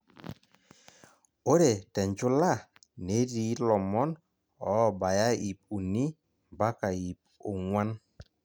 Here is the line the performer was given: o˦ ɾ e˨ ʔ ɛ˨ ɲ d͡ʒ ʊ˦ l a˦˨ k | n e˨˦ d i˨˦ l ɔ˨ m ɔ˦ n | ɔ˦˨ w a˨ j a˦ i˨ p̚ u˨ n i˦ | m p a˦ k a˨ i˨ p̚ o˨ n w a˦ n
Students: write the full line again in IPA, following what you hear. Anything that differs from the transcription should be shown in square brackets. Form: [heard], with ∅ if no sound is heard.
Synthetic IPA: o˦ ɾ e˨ [t] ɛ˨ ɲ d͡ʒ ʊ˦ l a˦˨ [∅] | n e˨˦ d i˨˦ l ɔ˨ m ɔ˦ n | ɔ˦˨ [b] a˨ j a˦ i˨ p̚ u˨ n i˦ | m [b] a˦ k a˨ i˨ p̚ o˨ [ŋ] w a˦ n